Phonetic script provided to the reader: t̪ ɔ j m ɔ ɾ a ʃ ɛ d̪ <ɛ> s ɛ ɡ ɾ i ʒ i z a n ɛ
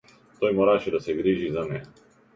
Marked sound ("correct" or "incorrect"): incorrect